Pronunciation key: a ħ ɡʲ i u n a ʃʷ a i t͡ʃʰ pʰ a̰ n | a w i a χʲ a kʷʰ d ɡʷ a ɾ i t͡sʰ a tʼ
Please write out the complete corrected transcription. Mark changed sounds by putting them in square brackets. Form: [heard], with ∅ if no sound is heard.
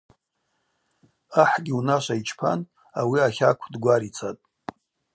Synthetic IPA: a ħ ɡʲ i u n a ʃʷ a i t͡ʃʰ pʰ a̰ n | a w i a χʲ a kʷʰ d ɡʷ a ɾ i t͡sʰ a tʼ